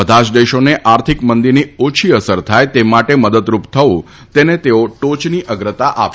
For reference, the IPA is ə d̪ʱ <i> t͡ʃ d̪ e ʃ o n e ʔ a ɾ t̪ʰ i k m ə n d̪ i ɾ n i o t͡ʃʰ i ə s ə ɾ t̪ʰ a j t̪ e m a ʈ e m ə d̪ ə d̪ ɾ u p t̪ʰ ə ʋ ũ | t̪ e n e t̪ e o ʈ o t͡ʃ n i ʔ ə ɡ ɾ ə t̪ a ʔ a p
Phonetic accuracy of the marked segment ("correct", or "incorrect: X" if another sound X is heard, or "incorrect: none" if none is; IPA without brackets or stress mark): incorrect: a